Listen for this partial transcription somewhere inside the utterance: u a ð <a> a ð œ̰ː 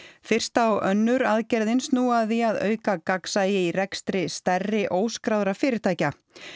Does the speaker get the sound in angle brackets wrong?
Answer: yes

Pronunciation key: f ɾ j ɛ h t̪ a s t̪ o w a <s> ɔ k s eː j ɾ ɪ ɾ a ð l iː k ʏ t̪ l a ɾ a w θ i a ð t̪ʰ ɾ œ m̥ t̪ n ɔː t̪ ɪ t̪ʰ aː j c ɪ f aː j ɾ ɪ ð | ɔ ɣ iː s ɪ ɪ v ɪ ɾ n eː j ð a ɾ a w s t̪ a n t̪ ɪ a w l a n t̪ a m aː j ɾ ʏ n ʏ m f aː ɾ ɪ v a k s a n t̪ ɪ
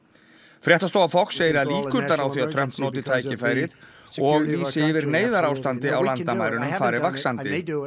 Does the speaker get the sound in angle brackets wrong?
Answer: yes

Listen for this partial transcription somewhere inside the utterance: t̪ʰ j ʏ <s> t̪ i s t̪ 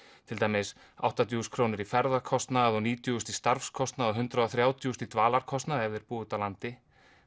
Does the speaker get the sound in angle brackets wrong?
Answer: no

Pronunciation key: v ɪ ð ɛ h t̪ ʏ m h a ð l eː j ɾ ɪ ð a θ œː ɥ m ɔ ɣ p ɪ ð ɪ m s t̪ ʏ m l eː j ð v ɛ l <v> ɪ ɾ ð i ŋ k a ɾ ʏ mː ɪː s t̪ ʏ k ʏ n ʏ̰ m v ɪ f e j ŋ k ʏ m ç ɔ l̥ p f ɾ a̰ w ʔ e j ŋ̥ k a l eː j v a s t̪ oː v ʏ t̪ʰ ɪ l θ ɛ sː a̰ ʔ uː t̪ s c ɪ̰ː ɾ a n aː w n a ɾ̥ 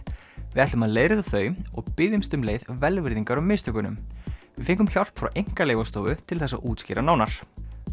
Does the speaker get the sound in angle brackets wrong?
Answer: no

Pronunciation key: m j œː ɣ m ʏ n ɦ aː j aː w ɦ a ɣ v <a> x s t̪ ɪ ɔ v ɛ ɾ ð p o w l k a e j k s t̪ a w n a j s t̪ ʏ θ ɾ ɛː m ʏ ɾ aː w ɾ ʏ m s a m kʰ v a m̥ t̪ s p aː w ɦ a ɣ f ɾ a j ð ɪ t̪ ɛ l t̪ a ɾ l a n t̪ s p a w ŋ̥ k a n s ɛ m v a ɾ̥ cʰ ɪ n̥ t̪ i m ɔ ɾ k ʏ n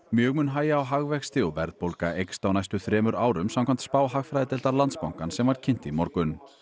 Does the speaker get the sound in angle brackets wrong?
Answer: yes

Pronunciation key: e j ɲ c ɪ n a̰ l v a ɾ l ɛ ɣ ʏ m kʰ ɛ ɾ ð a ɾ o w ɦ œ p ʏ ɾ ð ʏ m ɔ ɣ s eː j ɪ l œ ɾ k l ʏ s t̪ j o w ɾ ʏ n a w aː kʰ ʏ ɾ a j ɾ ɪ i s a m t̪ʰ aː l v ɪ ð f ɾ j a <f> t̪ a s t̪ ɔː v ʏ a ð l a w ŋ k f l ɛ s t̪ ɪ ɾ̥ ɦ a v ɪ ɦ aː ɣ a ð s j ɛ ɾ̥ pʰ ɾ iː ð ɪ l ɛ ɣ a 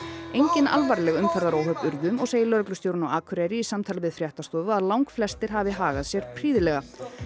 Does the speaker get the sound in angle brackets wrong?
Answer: yes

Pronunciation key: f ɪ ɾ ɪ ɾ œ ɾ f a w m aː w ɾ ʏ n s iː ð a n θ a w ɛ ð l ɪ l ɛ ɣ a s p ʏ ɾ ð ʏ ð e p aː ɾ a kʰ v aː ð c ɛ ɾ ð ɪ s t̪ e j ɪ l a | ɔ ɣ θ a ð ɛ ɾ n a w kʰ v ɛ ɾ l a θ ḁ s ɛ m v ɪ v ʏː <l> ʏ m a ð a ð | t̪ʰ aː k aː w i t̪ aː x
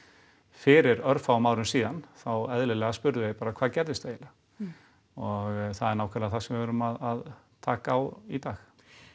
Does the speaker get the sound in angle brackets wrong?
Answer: yes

